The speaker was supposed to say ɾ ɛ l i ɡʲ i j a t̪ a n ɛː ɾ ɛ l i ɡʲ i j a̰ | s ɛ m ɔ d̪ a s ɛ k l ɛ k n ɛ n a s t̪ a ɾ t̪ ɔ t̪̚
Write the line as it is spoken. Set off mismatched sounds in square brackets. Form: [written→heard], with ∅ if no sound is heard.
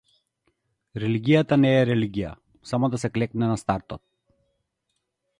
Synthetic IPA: ɾ ɛ l i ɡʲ i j a t̪ a n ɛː ɾ ɛ l i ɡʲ i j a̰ | s [ɛ→a] m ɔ d̪ a s ɛ k l ɛ k n ɛ n a s t̪ a ɾ t̪ ɔ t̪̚